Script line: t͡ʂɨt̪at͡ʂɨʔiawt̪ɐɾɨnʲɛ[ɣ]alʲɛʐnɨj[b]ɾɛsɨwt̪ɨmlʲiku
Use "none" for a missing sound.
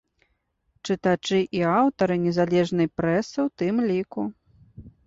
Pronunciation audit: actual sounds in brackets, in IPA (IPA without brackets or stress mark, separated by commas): z, p